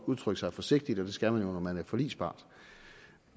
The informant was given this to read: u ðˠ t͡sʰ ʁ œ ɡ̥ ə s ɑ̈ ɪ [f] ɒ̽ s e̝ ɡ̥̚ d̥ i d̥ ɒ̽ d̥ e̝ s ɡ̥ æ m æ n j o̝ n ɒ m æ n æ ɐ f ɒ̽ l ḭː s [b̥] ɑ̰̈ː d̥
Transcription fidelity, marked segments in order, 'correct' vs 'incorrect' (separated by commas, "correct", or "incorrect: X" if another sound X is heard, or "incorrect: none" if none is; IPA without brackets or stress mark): correct, correct